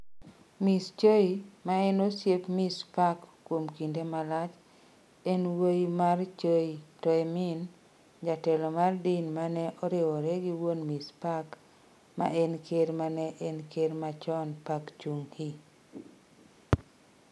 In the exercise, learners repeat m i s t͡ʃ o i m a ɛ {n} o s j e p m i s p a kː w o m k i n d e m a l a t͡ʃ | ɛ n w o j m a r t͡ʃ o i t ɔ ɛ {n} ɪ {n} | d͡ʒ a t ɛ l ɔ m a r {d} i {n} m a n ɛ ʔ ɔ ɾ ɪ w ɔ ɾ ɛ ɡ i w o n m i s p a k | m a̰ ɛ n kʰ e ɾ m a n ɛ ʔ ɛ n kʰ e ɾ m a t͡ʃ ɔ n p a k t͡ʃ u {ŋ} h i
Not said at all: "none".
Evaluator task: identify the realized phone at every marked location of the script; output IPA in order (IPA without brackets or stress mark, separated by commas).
n, m, n, d, n, ŋ